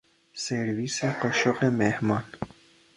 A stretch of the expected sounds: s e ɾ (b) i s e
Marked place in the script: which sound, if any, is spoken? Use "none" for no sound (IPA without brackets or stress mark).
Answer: v